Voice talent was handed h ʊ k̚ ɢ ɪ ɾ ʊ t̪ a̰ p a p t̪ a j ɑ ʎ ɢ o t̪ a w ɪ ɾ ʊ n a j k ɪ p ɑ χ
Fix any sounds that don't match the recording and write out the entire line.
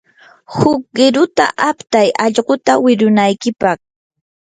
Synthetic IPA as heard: h ʊ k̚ ɢ ɪ ɾ ʊ t̪ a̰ ʔ a p t̪ a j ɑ ʎ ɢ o t̪ a w ɪ ɾ ʊ n a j k ɪ p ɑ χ